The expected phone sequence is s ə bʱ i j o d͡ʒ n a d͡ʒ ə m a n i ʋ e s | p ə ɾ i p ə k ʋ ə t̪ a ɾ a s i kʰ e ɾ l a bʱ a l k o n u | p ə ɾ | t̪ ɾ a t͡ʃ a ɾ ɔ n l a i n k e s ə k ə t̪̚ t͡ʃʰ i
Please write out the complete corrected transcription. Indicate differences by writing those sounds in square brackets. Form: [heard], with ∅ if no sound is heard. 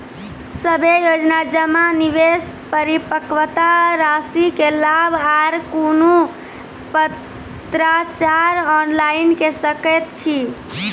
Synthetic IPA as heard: s ə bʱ [e] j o d͡ʒ n a d͡ʒ ə m a n i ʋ e s | p ə ɾ i p ə k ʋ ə t̪ a ɾ a s i [k] e [∅] l a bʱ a [ɾ] k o n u | p ə [∅] | t̪ ɾ a t͡ʃ a ɾ ɔ n l a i n k e s ə k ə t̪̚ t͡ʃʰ i